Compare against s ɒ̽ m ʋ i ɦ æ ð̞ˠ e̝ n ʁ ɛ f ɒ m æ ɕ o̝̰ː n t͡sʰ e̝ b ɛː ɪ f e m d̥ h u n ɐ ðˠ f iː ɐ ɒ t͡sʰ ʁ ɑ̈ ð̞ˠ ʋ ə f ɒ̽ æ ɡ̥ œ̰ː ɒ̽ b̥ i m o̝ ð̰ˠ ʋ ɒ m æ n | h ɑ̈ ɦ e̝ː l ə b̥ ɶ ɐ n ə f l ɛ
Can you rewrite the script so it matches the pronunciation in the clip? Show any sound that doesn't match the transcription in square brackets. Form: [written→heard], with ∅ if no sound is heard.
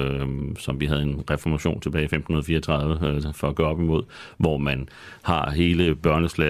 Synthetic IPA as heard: s ɒ̽ m ʋ i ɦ æ ð̞ˠ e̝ n ʁ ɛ f ɒ m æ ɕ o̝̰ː n t͡sʰ e̝ b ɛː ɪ f e m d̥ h u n ɐ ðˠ f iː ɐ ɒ t͡sʰ ʁ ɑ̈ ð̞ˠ ʋ ə f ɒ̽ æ ɡ̥ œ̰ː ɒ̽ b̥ i m o̝ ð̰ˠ ʋ ɒ m æ n | h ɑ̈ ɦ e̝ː l ə b̥ ɶ ɐ n ə [f→s] l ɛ